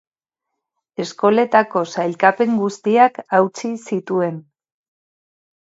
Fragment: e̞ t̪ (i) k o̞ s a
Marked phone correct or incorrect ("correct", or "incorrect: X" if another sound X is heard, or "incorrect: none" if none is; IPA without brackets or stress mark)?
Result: incorrect: a